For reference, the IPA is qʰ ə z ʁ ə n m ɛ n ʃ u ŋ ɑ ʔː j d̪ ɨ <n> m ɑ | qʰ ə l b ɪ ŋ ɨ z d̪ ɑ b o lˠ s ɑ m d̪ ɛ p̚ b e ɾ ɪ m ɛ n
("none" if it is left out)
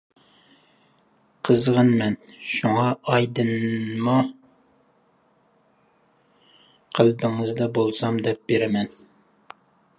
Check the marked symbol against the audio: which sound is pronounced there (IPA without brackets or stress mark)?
n